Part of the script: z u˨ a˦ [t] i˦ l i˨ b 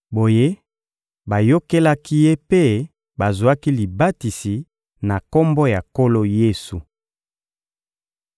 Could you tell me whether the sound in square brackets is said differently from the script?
yes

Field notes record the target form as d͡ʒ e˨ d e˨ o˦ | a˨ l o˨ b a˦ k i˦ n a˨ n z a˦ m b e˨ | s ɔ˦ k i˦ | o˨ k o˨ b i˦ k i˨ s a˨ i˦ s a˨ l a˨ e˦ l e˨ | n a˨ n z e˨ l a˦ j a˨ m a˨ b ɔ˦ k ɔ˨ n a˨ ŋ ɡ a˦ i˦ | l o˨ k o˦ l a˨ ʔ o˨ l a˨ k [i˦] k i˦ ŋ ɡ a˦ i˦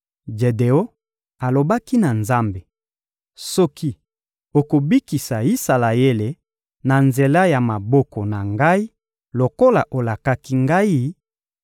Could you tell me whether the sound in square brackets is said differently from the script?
yes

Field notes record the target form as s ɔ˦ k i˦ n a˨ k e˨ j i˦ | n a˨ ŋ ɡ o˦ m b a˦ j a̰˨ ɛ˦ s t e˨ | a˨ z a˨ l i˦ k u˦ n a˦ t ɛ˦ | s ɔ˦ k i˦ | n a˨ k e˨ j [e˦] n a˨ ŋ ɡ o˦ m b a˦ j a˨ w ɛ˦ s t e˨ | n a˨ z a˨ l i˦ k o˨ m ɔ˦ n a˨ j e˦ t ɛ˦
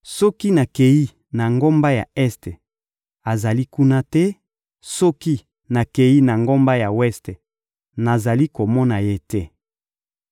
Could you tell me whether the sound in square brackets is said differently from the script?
yes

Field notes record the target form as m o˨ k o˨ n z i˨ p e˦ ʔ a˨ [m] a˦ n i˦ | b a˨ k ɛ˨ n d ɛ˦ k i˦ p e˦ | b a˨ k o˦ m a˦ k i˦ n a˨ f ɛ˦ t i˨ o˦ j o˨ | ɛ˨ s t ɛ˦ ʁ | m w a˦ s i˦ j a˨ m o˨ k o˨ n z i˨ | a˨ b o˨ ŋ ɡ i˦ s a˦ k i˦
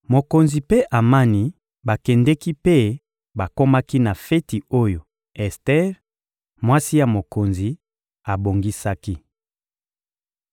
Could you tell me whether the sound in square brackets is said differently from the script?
no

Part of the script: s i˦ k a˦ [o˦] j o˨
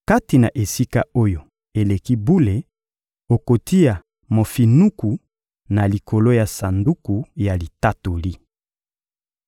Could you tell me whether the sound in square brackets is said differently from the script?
no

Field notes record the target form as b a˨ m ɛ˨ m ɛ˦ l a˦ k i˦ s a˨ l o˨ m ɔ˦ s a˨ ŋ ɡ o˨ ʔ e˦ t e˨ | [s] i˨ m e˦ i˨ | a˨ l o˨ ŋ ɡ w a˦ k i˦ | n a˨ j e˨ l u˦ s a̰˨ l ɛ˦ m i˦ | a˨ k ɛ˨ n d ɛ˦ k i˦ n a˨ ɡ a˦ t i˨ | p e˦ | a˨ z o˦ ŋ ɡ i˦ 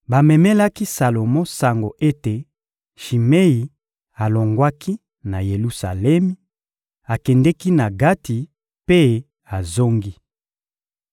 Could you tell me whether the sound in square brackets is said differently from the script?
yes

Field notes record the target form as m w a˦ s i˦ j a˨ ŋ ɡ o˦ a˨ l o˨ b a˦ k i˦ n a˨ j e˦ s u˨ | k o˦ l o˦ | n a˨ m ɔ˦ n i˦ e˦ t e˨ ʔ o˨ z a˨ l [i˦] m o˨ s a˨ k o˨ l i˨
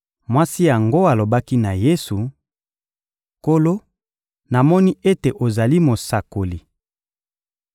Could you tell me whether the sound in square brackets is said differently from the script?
no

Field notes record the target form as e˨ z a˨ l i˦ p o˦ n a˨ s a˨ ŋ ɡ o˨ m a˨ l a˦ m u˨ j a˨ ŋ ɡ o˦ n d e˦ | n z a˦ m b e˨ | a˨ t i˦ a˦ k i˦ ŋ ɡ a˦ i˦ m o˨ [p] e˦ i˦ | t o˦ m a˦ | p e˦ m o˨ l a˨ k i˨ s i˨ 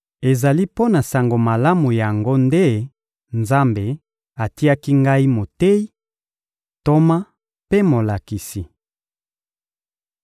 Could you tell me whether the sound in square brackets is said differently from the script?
yes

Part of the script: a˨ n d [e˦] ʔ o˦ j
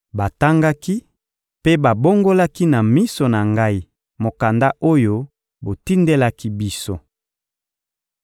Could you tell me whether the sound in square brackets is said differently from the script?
yes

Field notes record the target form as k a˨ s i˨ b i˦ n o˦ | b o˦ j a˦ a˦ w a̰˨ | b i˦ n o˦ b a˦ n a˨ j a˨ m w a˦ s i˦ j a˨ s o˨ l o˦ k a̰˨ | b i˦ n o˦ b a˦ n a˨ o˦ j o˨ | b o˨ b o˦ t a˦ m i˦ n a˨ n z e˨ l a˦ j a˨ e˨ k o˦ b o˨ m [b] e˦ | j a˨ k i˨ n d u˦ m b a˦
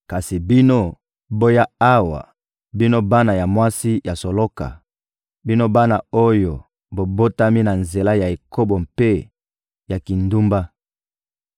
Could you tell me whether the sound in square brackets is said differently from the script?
yes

